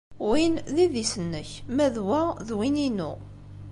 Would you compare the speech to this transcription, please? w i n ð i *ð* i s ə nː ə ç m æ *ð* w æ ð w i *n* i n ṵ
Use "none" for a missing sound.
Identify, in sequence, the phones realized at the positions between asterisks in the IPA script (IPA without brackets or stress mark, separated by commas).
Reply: ð, ð, n